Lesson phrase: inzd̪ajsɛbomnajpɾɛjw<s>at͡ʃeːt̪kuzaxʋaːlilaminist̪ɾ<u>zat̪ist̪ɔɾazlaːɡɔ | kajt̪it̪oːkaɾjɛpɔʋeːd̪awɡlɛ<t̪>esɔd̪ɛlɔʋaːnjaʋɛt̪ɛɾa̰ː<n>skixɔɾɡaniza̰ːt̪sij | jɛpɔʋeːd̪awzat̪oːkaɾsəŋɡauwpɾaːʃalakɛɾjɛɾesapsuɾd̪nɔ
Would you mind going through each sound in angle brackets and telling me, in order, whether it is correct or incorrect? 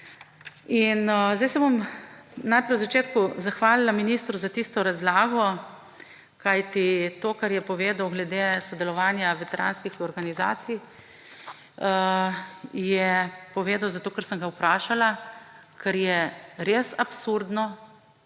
incorrect: z, correct, incorrect: d̪, correct

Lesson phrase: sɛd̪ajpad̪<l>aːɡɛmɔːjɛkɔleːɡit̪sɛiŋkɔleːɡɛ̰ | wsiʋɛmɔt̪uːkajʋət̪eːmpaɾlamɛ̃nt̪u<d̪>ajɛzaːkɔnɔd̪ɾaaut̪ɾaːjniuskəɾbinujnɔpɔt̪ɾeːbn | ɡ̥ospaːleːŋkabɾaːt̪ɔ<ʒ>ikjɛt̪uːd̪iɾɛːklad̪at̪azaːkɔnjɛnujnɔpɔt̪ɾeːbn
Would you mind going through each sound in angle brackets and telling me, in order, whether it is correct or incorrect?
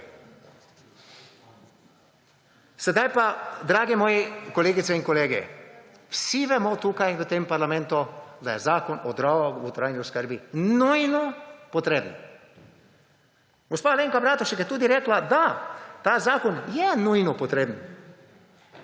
incorrect: ɾ, correct, incorrect: ʃ

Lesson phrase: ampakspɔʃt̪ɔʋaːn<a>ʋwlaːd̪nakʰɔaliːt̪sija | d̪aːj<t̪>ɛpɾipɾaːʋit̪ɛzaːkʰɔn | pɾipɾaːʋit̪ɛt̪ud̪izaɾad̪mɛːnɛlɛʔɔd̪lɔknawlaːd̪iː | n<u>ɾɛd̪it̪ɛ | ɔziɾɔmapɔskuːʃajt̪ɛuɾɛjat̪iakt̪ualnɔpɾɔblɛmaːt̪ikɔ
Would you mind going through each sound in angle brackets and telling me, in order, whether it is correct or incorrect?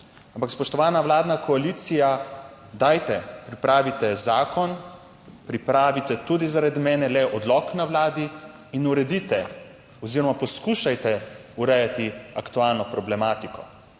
correct, correct, correct

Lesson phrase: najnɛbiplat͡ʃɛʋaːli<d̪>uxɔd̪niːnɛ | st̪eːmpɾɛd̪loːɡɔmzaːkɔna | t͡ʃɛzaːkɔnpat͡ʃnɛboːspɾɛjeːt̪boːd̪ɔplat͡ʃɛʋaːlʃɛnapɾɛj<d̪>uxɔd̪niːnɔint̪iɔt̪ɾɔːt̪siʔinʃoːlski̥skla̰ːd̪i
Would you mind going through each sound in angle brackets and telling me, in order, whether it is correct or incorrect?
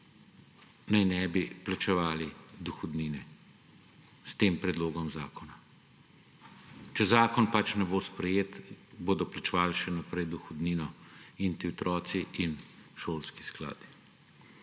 correct, correct

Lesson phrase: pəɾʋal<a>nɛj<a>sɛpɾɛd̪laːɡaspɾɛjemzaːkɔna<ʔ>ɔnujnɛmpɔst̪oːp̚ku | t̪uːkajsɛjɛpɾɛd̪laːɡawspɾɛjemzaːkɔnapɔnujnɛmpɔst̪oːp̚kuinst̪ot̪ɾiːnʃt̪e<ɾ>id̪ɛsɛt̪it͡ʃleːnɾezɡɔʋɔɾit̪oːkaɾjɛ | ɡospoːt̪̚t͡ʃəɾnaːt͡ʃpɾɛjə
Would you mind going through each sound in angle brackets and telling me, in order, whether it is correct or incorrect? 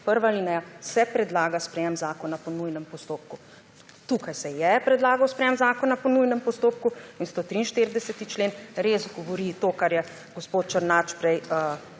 incorrect: i, correct, incorrect: p, correct

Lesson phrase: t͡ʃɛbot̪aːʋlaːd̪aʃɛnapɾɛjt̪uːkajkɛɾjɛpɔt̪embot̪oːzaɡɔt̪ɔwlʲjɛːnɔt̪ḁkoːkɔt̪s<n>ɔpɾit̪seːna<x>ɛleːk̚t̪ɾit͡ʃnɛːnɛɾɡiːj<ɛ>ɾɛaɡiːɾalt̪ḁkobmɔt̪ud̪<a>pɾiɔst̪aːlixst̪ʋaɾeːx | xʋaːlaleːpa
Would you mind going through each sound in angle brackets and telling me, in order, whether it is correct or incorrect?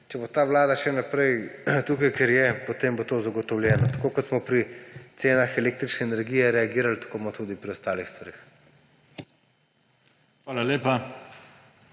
incorrect: m, correct, correct, incorrect: i

